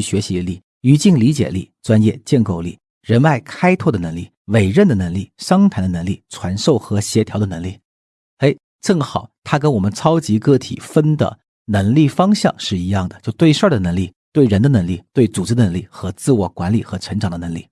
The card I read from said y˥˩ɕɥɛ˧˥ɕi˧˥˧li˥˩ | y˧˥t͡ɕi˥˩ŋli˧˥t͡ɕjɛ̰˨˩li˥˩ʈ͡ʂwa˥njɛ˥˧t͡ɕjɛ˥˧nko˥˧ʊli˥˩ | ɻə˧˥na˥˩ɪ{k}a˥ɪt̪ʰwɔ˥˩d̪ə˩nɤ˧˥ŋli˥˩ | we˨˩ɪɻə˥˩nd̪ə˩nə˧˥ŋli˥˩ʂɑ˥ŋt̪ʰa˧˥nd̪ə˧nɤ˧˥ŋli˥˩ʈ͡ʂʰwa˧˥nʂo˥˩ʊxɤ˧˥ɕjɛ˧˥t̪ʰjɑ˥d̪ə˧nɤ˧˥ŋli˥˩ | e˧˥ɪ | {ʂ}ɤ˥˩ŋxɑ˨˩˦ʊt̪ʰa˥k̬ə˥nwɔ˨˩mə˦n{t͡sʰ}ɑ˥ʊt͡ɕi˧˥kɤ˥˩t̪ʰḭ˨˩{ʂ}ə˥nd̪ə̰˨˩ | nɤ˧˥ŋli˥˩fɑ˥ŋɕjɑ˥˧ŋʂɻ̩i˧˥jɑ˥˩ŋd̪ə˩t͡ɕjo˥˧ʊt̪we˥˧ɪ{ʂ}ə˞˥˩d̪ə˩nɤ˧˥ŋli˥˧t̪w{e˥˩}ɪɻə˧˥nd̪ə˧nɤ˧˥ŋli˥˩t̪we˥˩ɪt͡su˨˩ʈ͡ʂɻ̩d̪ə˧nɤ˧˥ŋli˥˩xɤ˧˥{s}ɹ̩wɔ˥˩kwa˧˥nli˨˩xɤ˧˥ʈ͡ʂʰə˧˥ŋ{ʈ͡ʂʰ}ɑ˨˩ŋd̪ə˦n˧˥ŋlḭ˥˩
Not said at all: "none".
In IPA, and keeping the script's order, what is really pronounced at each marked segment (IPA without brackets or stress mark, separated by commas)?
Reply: kʰ, ʈ͡ʂ, t͡sʰ, f, ʂ, e˥˩, t͡s, ʈ͡ʂ